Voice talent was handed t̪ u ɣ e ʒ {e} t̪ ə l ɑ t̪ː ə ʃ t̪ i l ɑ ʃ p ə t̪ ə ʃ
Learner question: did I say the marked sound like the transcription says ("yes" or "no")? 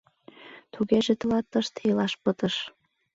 yes